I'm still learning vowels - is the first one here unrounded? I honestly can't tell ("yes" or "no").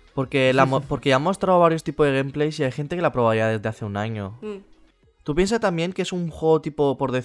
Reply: no